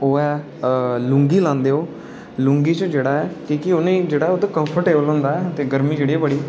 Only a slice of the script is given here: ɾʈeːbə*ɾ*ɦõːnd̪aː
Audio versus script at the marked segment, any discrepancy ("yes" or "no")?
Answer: yes